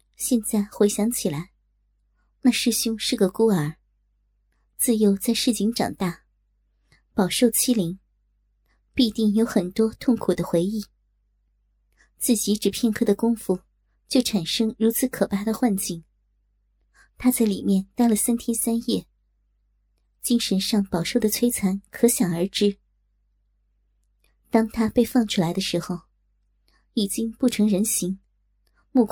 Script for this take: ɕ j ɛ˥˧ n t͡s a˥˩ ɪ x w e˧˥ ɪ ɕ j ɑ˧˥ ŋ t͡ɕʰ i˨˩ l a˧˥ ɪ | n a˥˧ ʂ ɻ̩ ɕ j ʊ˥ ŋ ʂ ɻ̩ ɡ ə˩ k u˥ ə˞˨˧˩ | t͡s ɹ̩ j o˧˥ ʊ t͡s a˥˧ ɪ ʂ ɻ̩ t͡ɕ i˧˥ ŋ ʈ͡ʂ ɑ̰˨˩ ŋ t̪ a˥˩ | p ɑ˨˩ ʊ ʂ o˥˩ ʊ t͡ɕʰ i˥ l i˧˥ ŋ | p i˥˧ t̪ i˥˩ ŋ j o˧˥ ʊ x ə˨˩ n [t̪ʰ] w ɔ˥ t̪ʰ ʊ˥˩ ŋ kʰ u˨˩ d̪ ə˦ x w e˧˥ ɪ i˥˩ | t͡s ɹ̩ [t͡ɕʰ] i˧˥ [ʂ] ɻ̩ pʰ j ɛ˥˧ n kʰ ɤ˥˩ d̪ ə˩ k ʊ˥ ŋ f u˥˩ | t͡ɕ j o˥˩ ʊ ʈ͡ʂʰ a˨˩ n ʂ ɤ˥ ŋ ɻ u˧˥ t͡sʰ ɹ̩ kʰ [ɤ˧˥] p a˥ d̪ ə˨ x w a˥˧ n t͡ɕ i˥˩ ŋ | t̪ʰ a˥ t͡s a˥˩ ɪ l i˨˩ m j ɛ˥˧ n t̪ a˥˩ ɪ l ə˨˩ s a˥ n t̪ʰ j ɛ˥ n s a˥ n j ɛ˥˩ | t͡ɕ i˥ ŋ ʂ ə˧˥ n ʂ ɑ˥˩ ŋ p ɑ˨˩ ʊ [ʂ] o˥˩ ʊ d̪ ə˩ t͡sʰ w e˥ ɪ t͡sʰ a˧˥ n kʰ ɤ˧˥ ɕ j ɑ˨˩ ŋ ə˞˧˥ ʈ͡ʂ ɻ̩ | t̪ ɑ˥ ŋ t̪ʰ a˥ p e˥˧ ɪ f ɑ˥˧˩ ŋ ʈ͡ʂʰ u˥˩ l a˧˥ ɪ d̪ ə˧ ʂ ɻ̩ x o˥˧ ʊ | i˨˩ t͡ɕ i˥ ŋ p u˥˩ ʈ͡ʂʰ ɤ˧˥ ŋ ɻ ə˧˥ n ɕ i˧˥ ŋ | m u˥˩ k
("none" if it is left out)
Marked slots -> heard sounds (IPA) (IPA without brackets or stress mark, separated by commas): t̪, t͡ɕ, ʈ͡ʂ, ɤ˨˩, ʂ